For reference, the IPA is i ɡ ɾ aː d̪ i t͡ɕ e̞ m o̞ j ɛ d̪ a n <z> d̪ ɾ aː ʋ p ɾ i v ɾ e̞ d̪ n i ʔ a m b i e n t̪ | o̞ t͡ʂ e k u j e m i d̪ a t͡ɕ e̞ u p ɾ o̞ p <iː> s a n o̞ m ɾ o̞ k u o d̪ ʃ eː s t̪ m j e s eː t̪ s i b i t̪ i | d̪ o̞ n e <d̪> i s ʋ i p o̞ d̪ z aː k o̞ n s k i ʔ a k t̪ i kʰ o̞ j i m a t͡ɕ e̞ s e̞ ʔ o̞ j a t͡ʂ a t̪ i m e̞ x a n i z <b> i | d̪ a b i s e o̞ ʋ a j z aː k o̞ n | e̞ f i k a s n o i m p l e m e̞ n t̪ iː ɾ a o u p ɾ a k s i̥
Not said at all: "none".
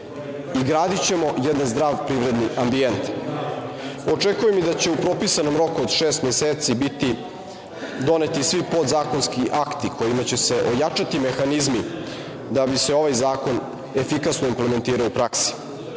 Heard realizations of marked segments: z, i, t̪, m

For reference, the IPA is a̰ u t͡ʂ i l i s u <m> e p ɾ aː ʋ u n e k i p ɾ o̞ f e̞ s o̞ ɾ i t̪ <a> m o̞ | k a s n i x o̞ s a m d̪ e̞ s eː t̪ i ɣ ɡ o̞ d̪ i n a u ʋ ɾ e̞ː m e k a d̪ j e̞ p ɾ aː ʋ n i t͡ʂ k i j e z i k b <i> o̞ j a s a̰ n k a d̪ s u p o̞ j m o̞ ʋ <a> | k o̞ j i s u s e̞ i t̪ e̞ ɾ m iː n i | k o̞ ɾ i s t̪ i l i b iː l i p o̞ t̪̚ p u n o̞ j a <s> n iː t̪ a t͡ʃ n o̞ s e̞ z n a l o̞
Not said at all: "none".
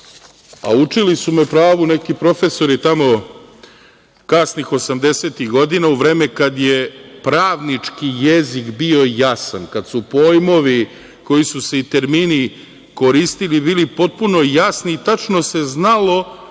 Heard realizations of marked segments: m, a, i, i, s

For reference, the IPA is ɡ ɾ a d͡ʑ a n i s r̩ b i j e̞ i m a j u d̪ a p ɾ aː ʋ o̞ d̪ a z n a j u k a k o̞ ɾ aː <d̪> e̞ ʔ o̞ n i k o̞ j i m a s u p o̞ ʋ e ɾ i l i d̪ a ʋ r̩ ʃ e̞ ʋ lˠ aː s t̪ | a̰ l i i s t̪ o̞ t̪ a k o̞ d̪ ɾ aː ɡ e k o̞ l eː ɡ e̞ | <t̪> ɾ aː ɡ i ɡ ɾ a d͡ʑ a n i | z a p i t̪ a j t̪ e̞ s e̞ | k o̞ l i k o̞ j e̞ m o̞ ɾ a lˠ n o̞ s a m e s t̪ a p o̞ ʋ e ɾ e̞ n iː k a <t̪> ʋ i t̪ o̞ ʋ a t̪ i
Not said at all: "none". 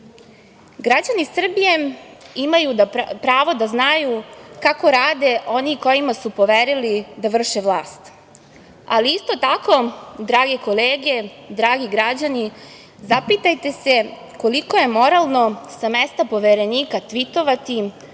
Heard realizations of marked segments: d̪, d̪, t̪

